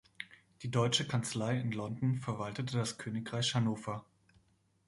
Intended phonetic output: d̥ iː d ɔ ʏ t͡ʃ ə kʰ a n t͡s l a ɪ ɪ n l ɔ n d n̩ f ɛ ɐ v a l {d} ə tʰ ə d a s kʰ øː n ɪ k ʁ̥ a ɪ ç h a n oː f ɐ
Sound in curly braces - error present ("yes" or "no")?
yes